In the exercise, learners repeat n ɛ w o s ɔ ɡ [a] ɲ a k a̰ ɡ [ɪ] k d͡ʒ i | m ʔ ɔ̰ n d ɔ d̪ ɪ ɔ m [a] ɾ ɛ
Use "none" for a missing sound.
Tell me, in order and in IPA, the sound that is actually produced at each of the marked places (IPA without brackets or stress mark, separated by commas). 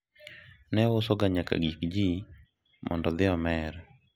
a, i, ɛ